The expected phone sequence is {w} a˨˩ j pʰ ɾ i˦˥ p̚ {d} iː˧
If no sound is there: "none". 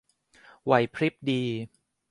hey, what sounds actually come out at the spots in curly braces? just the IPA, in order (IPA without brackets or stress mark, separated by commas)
w, d